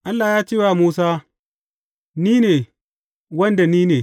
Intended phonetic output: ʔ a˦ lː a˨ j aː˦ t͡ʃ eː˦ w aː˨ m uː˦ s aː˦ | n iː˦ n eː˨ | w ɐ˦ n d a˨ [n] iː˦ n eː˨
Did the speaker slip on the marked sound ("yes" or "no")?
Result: no